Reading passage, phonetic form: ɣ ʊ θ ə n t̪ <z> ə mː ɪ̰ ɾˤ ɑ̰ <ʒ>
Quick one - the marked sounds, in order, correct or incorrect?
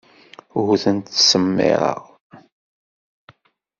incorrect: s, incorrect: ʁ

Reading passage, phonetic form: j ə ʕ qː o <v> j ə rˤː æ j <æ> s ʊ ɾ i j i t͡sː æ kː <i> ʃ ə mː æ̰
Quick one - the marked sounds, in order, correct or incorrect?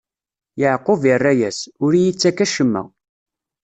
correct, correct, incorrect: æ

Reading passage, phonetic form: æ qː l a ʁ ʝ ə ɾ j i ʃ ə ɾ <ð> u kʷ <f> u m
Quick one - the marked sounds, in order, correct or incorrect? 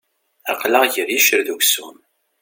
correct, incorrect: s

